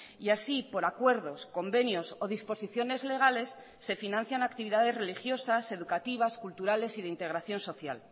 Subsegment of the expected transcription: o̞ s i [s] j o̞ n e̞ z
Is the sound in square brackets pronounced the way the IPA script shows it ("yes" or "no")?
no